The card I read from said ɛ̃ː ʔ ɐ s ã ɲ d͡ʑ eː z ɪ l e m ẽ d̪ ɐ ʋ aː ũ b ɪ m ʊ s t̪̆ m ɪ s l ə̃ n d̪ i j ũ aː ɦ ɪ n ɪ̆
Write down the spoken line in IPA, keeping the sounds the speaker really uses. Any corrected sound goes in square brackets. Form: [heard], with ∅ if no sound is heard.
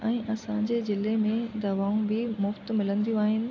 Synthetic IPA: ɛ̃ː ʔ ɐ s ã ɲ d͡ʑ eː z ɪ l e m ẽ d̪ ɐ ʋ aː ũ b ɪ m ʊ [f] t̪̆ m ɪ [∅] l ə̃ n d̪ i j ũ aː ɦ ɪ n ɪ̆